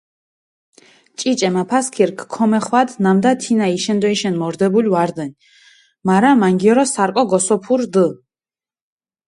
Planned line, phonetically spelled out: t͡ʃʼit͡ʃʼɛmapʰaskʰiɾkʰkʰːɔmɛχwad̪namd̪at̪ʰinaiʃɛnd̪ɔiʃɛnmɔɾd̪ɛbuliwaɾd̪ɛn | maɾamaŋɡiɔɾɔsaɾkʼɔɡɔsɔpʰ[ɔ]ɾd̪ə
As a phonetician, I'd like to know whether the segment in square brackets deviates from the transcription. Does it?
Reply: yes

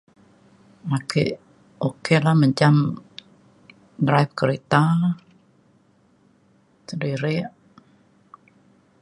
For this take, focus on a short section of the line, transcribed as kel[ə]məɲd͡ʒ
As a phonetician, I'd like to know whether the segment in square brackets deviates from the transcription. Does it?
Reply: yes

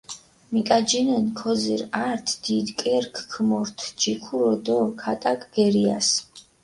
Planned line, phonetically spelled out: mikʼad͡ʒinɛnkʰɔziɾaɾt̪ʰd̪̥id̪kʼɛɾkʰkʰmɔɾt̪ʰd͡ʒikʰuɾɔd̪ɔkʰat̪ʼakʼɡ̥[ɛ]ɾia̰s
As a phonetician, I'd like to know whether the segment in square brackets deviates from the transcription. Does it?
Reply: no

